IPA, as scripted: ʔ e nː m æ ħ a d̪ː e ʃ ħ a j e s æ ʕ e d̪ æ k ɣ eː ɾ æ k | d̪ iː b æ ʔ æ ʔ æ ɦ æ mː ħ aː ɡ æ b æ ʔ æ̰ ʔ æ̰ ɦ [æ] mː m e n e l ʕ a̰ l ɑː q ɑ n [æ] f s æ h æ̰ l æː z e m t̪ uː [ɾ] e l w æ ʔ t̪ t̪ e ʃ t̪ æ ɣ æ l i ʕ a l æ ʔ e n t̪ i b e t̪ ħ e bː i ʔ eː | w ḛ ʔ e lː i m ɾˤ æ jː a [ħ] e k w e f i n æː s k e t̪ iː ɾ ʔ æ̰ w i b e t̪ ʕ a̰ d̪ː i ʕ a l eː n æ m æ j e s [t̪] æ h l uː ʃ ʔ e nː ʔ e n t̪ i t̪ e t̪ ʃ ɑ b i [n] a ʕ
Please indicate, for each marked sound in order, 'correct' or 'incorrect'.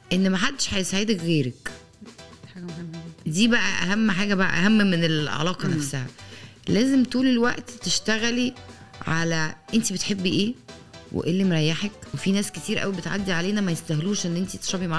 correct, correct, incorrect: l, correct, correct, incorrect: m

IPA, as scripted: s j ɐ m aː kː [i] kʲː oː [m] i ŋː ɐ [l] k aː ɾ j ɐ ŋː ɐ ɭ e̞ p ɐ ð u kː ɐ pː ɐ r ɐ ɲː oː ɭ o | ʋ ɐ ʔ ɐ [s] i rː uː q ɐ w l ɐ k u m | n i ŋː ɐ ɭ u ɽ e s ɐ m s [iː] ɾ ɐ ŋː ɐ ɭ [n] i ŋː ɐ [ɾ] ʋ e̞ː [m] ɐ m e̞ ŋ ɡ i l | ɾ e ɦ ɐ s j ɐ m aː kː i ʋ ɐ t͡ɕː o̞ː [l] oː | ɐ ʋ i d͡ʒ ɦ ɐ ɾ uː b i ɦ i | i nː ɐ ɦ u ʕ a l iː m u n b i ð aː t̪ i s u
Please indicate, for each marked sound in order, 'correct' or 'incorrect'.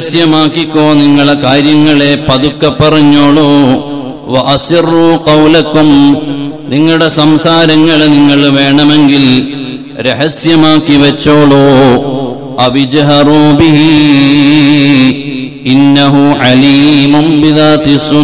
correct, incorrect: n, incorrect: ɭ, correct, incorrect: aː, correct, incorrect: ɭ, incorrect: ɳ, incorrect: ɭ

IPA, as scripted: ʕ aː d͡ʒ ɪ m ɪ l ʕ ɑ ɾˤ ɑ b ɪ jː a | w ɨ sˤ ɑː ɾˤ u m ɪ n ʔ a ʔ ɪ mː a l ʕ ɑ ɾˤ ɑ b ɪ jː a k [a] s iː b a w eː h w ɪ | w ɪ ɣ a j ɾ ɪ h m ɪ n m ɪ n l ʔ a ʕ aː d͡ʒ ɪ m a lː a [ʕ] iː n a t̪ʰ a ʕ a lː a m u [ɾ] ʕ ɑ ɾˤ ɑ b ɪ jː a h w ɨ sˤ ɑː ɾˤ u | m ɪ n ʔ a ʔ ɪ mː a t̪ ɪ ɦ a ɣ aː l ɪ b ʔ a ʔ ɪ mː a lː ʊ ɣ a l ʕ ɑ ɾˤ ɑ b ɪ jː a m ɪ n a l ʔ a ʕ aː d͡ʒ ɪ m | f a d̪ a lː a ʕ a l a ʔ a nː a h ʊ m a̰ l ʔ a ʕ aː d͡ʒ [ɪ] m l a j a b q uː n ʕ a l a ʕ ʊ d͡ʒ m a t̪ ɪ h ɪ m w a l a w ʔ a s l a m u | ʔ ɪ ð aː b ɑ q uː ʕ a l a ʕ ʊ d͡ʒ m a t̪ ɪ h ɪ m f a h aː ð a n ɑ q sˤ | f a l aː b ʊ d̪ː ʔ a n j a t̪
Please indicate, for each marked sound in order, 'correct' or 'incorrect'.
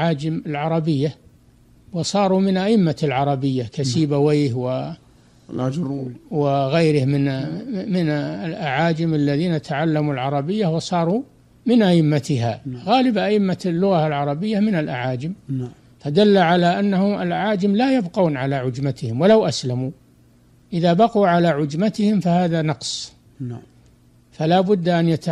correct, incorrect: ð, incorrect: l, correct

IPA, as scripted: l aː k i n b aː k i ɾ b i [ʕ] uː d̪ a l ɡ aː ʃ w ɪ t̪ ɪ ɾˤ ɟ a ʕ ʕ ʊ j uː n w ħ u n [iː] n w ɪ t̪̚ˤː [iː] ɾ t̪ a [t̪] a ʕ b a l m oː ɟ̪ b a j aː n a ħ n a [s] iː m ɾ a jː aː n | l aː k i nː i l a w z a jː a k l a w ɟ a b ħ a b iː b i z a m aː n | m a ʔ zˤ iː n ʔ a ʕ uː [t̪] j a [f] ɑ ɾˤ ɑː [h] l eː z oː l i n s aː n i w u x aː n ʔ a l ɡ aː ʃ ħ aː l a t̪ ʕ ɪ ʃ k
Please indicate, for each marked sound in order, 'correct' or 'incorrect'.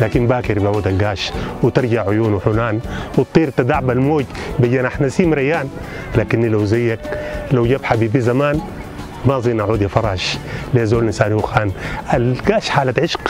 correct, incorrect: aː, correct, incorrect: d̪, correct, incorrect: d̪, correct, incorrect: ʃ

